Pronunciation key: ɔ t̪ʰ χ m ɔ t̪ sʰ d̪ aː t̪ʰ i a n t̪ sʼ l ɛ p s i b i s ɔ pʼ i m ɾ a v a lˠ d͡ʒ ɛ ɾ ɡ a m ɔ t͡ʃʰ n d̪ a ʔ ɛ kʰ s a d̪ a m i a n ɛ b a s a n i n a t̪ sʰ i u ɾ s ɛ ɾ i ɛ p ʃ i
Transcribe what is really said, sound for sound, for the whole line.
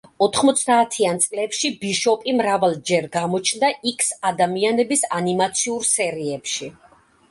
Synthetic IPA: ɔ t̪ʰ χ m ɔ t̪ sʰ d̪ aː t̪ʰ i a n t̪ sʼ l ɛ p ʃ i b i ʃ ɔ pʼ i m ɾ a v a lˠ d͡ʒ ɛ ɾ ɡ a m ɔ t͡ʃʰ n d̪ a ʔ i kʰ s a d̪ a m i a n ɛ b i s a n i m a t̪ sʰ i u ɾ s ɛ ɾ i ɛ p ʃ i